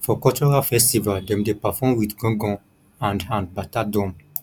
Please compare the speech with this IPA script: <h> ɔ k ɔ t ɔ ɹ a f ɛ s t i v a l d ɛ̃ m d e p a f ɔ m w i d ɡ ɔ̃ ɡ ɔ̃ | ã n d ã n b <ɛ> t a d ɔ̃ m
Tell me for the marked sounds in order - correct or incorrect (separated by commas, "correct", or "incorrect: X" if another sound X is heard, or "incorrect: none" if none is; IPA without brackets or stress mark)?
incorrect: f, incorrect: a